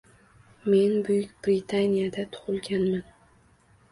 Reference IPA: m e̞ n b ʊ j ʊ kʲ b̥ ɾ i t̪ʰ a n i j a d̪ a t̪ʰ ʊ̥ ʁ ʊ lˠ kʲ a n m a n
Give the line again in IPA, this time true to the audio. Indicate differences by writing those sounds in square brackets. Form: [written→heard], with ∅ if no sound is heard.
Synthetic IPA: m e̞ n b ʊ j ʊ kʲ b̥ ɾ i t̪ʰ a n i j a d̪ a t̪ʰ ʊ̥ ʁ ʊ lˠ [kʲ→ɡʲ] a n m a n

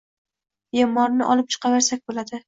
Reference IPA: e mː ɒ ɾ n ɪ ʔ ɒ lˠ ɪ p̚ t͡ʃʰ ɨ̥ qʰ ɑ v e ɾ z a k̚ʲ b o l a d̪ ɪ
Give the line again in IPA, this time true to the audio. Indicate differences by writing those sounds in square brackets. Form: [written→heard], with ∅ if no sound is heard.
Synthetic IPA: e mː ɒ ɾ n ɪ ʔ ɒ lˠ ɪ p̚ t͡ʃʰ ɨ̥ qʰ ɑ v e ɾ [z→s] a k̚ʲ b o l a d̪ ɪ

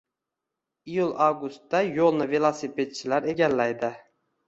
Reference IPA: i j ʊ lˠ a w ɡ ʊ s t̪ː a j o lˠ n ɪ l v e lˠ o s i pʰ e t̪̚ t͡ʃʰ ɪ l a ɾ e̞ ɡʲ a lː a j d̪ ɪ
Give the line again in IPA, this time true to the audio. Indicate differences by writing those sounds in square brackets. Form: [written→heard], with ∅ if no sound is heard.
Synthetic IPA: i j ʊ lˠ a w ɡ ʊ s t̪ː a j o lˠ n ɪ [l→∅] v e lˠ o s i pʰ e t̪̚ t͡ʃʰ ɪ l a ɾ e̞ ɡʲ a lː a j d̪ ɪ

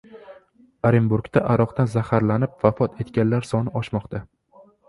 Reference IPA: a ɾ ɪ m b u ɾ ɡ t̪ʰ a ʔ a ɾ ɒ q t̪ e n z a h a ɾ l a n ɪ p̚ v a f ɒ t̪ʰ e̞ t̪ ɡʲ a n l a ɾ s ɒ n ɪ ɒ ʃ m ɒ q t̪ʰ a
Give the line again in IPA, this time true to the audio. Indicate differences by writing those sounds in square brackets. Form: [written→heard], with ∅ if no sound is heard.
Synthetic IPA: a ɾ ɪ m b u ɾ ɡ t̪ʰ a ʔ a ɾ ɒ q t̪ [e→a] n z a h a ɾ l a n ɪ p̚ v a f ɒ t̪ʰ e̞ t̪ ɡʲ a n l a ɾ s ɒ n ɪ ɒ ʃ m ɒ q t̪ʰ a

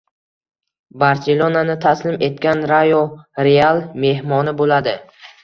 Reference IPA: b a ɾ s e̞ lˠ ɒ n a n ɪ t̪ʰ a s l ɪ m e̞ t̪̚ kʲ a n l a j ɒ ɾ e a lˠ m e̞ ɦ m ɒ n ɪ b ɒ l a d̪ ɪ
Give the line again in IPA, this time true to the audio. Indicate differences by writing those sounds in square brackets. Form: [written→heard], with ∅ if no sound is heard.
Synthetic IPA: b a ɾ s e̞ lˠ [ɒ→o] n a n ɪ t̪ʰ a s l ɪ m e̞ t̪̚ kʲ a n [l→ɾ] a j [ɒ→o] ɾ e a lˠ m e̞ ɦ m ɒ n ɪ b [ɒ→o] l a d̪ ɪ

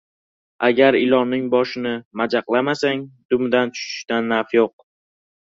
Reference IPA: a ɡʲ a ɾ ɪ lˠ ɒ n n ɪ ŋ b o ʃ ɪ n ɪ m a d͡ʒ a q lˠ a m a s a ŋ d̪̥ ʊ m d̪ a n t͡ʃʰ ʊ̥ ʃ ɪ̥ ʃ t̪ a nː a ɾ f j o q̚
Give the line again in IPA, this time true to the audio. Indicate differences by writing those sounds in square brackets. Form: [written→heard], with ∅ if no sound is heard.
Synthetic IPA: a ɡʲ a ɾ ɪ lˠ ɒ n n ɪ ŋ b [o→ɒ] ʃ ɪ n ɪ m a d͡ʒ a q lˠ a m a s a ŋ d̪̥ ʊ m d̪ a n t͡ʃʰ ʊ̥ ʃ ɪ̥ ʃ t̪ a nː a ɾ f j o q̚

